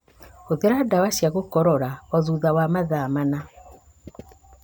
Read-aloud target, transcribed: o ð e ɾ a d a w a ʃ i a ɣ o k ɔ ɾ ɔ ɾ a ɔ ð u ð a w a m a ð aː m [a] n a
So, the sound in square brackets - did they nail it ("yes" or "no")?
yes